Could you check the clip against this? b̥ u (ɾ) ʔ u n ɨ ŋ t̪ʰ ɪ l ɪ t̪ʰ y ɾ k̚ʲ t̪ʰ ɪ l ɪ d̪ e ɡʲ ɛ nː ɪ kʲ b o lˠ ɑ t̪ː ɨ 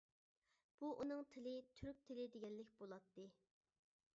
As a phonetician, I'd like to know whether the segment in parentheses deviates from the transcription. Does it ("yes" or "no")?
yes